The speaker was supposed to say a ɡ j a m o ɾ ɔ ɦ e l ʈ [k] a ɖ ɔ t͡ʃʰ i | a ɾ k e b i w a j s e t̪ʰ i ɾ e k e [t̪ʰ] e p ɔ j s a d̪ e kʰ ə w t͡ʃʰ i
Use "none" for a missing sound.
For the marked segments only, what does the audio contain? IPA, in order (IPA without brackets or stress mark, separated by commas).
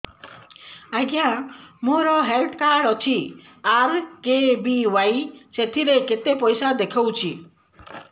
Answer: k, t̪